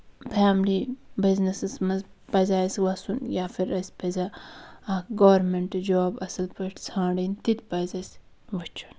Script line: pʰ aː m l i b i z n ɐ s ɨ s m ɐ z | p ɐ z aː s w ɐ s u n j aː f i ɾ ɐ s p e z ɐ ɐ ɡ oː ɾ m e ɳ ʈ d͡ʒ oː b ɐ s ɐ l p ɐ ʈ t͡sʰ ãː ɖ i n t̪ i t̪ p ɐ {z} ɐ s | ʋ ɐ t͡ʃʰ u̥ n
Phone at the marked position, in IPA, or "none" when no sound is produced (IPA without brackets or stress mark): z